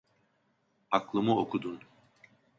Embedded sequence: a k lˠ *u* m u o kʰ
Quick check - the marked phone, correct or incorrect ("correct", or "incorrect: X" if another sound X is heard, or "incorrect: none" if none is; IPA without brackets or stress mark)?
incorrect: ɯ